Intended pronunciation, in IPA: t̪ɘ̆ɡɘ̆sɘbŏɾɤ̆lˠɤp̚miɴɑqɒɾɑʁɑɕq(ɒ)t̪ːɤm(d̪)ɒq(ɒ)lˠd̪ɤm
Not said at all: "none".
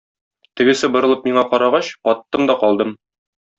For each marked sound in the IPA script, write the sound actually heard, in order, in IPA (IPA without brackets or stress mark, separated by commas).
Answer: ɒ, d̪, ɒ